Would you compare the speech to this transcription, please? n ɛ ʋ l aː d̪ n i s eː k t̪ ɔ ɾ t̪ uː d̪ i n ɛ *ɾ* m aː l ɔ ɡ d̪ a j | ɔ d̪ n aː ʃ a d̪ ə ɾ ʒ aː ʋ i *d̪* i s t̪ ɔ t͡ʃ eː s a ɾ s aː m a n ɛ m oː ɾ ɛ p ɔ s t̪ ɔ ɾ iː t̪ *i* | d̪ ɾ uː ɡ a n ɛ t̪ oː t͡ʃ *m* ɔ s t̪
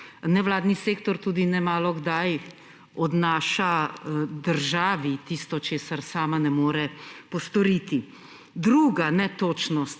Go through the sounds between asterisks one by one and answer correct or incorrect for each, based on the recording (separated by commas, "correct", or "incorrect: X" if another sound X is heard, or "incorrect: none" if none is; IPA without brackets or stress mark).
incorrect: none, incorrect: t̪, correct, incorrect: n